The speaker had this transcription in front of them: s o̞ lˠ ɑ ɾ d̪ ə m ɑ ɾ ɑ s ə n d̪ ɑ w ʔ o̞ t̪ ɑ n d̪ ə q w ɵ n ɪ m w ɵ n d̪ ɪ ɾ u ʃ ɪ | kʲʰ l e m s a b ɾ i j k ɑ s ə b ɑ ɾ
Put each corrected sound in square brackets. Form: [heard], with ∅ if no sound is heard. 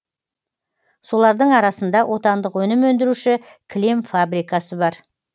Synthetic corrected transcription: s o̞ lˠ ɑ ɾ d̪ ə [ɴ] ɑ ɾ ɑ s ə n d̪ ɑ w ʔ o̞ t̪ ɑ n d̪ ə q w ɵ n ɪ m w ɵ n d̪ ɪ ɾ u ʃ ɪ | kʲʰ l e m [f] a b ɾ i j k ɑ s ə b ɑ ɾ